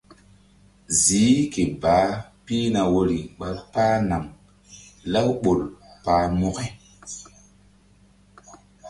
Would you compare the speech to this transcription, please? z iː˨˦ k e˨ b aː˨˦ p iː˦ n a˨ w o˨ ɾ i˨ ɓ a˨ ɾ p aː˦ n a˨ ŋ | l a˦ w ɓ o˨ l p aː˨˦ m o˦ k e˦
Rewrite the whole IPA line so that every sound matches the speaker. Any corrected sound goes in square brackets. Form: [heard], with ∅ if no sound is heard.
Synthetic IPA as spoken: z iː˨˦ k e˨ b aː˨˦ p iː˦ n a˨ w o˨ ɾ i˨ ɓ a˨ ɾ p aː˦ n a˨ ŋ | l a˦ w ɓ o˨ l p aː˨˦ m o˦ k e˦